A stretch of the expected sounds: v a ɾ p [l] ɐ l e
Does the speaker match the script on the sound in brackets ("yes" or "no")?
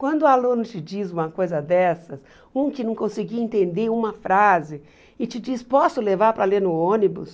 no